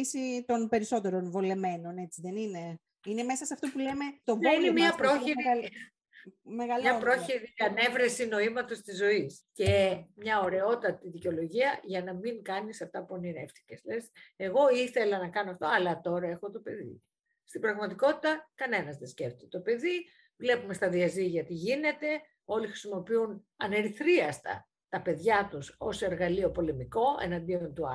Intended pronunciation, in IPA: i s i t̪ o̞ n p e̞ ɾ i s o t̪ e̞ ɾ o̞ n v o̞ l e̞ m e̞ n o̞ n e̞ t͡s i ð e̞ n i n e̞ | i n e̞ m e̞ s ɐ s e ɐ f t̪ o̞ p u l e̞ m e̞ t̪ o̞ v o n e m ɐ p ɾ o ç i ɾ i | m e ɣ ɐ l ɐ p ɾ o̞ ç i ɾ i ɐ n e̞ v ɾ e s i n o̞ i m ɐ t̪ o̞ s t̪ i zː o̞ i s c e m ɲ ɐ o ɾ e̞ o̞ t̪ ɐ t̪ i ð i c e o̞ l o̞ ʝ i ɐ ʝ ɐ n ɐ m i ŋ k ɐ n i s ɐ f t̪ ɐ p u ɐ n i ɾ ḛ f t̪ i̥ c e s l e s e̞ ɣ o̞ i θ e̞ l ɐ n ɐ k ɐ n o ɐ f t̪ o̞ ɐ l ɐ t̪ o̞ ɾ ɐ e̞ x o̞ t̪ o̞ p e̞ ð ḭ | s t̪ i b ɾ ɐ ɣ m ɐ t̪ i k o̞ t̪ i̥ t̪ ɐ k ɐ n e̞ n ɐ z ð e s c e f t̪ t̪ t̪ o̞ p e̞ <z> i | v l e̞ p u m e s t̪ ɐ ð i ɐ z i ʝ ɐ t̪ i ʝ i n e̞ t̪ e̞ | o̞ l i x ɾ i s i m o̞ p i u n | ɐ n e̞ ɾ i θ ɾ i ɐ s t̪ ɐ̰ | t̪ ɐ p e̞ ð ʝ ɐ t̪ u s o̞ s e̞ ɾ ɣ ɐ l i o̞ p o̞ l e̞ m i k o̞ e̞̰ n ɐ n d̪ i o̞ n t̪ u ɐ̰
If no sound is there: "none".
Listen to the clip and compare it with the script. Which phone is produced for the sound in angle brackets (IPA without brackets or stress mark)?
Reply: ð